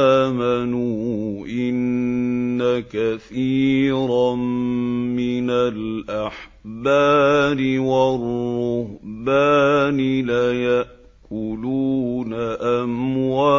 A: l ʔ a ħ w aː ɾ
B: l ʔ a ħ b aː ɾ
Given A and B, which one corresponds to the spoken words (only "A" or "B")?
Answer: B